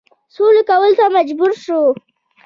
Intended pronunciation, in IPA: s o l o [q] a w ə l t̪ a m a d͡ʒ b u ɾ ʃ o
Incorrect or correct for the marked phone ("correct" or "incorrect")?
incorrect